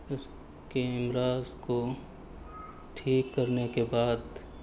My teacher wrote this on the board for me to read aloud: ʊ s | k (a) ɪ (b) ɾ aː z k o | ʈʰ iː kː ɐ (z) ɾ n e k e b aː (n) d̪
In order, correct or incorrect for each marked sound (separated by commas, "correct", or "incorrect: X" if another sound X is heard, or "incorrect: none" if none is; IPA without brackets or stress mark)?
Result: incorrect: e, incorrect: m, incorrect: none, incorrect: none